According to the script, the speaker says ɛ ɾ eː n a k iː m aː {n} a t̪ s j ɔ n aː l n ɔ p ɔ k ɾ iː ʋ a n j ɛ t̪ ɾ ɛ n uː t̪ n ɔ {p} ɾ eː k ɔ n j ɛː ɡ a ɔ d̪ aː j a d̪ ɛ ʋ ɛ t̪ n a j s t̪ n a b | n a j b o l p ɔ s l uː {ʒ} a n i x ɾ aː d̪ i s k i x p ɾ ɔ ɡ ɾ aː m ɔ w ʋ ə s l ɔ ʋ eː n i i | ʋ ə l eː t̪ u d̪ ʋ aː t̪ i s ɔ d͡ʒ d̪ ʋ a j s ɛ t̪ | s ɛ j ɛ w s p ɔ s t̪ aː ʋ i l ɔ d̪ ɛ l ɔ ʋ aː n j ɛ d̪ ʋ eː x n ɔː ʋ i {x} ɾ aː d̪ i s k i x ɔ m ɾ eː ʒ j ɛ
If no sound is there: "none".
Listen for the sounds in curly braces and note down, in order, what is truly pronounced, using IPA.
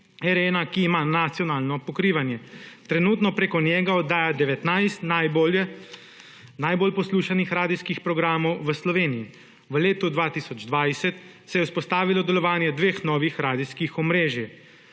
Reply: n, p, ʃ, x

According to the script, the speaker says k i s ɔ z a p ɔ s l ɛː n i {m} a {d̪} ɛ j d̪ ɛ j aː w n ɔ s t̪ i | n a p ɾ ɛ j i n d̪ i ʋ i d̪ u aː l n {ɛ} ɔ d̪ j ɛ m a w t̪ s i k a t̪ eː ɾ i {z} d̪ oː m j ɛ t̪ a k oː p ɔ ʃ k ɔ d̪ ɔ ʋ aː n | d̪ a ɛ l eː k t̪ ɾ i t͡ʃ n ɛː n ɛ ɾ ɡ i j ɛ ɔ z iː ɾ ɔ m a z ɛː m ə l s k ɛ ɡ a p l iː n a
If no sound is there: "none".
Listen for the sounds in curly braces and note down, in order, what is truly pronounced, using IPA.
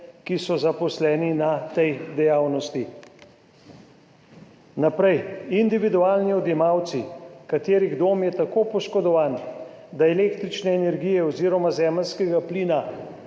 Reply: n, t̪, i, ɣ

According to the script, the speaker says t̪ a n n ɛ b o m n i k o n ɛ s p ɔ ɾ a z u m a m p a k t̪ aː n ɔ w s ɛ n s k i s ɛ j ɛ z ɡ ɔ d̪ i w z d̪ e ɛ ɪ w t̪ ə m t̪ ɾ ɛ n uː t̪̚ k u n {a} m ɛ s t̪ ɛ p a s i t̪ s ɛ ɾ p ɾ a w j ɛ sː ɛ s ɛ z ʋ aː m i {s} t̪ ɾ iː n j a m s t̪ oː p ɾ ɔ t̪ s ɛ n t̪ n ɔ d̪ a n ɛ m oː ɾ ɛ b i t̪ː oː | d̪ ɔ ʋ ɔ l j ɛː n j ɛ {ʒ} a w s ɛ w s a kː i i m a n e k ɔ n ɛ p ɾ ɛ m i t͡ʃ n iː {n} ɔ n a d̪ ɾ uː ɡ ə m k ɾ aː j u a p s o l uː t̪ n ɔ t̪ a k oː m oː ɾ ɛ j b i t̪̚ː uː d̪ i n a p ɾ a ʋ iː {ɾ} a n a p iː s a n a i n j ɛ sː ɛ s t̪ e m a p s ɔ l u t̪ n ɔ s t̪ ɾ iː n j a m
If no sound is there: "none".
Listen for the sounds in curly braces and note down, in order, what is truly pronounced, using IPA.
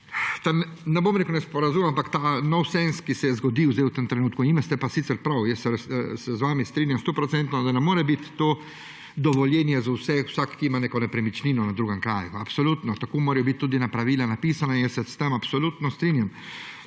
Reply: i, s, z, n, l

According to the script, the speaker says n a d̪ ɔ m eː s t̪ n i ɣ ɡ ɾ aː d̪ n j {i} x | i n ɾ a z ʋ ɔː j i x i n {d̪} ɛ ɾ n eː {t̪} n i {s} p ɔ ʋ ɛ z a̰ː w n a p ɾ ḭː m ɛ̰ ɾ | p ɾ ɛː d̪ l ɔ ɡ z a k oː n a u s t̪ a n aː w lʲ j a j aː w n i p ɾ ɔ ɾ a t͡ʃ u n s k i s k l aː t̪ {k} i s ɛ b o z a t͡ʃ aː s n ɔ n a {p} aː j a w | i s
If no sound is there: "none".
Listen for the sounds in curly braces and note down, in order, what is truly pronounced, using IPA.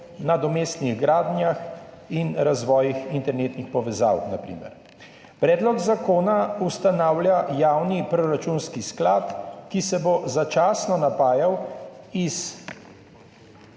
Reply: a, t̪, t̪, x, k, p

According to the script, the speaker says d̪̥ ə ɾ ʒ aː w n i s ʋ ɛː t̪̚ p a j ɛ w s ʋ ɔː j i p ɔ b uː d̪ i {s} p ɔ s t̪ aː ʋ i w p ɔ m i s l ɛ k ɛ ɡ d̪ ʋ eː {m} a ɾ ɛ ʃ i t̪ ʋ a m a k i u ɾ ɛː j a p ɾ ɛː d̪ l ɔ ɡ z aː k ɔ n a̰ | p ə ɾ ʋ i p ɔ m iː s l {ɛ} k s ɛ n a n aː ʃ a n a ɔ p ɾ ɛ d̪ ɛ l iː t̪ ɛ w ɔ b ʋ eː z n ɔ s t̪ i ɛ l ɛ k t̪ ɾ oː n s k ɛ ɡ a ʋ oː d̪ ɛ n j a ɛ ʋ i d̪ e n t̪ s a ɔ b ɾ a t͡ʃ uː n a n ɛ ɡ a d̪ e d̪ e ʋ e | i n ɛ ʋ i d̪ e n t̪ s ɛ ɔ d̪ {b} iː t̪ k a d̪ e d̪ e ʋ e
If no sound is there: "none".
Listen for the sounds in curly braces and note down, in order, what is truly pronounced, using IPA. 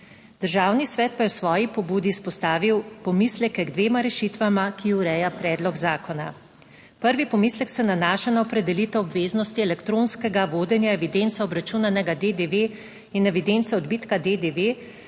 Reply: s, m, ɛ, b

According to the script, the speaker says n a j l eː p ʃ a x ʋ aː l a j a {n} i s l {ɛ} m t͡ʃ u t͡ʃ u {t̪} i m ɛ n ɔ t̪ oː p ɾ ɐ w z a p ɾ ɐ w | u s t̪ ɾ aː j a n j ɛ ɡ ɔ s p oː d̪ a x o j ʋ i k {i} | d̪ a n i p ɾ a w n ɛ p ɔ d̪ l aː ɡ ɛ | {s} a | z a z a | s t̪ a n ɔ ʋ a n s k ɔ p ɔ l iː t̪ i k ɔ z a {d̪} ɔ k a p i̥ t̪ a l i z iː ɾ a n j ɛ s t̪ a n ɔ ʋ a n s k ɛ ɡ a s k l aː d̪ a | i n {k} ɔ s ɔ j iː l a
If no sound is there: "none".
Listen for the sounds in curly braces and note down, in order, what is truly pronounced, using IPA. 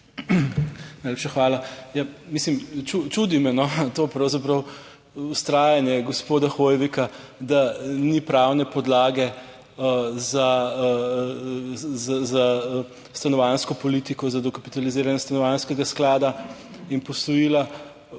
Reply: m, i, d̪, a, z, d̪, p

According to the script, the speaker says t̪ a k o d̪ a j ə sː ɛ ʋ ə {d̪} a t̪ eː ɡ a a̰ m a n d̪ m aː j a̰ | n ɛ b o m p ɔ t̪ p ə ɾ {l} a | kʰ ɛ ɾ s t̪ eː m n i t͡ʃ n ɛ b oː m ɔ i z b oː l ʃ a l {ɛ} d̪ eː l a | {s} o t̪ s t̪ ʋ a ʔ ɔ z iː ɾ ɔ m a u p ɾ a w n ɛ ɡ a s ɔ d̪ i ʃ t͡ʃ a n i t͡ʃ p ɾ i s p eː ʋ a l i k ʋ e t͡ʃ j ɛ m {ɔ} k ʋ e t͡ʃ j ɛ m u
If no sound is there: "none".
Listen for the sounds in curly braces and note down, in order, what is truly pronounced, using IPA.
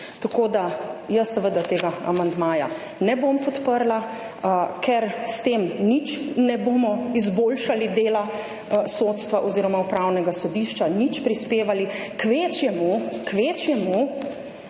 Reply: d̪, l, i, s, u

